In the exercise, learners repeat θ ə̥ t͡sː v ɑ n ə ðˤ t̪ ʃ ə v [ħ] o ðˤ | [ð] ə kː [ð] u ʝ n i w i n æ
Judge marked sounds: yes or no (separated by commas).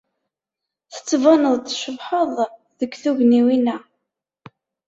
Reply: yes, yes, no